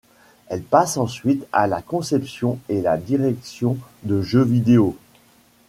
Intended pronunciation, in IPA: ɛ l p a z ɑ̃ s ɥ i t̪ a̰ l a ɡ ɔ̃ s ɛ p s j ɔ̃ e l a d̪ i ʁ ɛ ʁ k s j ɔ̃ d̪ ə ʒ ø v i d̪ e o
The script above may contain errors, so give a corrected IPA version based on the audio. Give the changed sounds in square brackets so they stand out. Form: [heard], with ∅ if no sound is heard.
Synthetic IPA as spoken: ɛ l p a [s] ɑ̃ s ɥ i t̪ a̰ l a [k] ɔ̃ s ɛ p s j ɔ̃ e l a d̪ i ʁ ɛ [∅] k s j ɔ̃ d̪ ə ʒ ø v i d̪ e o